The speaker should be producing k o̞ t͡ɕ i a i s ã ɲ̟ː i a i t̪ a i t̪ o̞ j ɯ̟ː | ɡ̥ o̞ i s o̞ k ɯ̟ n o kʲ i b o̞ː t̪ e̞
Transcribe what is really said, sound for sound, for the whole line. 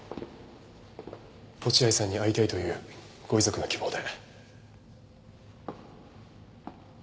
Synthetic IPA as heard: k o̞ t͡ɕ i a i s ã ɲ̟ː i a i t̪ a i t̪ o̞ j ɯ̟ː | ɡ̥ o̞ i z o̞ k ɯ̟ n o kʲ i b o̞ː d̪ e̞